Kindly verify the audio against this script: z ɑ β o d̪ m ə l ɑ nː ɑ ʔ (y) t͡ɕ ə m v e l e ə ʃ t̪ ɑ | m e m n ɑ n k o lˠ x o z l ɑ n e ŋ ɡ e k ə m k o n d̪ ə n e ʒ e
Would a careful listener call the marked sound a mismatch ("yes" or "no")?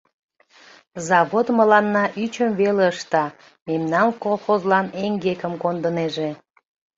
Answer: no